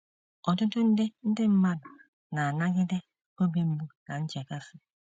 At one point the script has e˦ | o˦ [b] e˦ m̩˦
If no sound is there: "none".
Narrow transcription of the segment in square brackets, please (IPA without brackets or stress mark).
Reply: b